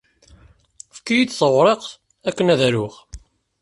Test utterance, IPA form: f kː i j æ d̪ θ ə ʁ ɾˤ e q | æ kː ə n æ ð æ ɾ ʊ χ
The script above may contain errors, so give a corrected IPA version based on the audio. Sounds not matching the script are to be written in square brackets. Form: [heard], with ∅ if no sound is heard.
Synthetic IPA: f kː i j [i] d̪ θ ə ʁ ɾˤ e q | æ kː ə n æ ð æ ɾ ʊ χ